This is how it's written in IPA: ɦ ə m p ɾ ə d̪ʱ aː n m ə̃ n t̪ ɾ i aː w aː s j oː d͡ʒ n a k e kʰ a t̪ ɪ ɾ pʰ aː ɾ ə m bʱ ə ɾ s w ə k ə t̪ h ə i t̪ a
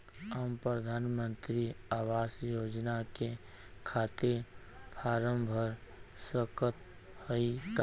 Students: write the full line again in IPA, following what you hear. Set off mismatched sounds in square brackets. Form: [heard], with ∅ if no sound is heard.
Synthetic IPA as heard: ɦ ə m p ɾ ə d̪ʱ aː n m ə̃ n t̪ ɾ i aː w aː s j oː d͡ʒ n a k e kʰ a t̪ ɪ ɾ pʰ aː ɾ ə m bʱ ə ɾ s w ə k ə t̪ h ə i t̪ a